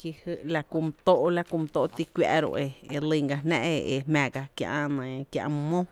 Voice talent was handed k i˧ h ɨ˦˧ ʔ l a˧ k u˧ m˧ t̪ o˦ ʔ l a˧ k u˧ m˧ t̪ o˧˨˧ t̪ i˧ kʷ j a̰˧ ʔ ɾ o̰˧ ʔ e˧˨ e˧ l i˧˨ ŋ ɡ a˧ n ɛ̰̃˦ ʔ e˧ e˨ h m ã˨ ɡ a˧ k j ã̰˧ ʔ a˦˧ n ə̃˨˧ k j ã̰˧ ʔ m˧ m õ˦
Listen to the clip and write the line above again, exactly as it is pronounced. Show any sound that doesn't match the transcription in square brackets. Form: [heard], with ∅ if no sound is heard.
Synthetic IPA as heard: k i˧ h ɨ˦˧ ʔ l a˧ k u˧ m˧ t̪ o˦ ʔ l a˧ k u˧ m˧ t̪ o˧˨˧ t̪ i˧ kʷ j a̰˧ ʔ ɾ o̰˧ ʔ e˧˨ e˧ l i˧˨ ŋ ɡ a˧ n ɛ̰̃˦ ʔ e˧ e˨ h m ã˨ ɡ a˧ k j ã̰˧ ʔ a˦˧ n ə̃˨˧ k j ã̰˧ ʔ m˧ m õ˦